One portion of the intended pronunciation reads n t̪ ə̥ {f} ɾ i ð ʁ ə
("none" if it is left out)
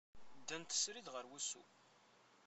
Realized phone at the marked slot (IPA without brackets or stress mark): s